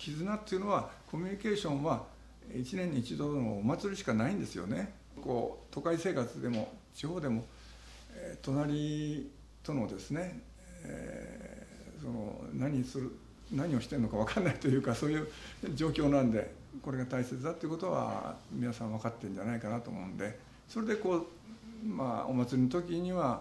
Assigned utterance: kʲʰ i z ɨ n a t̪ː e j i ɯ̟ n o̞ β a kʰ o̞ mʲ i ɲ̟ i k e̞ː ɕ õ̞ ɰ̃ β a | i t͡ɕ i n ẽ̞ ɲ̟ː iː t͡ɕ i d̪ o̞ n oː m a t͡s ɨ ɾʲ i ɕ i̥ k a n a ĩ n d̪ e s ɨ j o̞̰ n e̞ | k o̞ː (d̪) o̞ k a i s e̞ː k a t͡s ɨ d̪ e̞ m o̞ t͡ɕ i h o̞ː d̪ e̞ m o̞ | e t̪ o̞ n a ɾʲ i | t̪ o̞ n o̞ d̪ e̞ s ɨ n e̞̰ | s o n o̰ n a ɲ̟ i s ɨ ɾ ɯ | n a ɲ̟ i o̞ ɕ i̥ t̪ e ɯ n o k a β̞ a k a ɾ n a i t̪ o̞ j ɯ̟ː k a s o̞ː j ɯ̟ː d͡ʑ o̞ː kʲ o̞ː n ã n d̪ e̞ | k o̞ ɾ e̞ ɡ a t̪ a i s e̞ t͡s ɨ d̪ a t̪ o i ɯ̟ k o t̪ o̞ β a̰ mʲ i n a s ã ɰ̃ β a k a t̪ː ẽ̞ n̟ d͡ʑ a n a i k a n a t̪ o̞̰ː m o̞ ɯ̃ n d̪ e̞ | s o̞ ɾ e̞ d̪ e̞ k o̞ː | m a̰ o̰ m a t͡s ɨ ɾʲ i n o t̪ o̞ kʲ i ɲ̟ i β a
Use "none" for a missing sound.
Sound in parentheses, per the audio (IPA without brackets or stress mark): t̪